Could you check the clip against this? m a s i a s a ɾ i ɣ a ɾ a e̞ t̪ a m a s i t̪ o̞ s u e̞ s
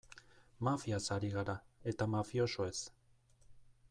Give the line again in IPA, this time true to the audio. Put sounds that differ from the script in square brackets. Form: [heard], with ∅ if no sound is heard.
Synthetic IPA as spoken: m a [f] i a s a ɾ i ɣ a ɾ a e̞ t̪ a m a [f] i [∅] o̞ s [o] e̞ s